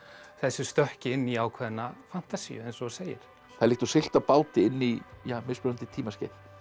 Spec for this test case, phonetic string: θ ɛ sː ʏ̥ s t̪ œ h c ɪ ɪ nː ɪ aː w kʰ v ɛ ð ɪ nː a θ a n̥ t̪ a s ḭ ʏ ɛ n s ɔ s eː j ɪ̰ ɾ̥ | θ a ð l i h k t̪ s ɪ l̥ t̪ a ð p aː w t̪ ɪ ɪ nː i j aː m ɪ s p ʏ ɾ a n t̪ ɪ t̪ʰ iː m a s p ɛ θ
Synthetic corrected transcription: θ ɛ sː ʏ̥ s t̪ œ h c ɪ ɪ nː i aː w kʰ v ɛ ð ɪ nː a f a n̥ t̪ a s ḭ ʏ ɛ n s ɔ s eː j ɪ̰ ɾ̥ | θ a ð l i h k t̪ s ɪ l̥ t̪ a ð p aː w t̪ ɪ ɪ nː i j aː m ɪ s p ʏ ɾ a n t̪ ɪ t̪ʰ iː m a s c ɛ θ